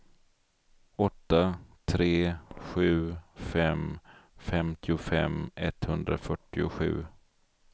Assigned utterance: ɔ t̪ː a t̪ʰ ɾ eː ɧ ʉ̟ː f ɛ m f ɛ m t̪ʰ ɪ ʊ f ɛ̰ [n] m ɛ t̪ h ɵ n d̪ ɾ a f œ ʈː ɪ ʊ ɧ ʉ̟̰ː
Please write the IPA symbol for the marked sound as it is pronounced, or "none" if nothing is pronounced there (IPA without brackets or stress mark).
none